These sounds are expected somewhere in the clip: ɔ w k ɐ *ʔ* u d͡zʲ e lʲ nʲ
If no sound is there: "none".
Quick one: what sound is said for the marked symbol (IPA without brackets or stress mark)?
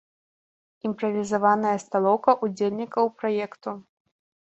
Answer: ʔ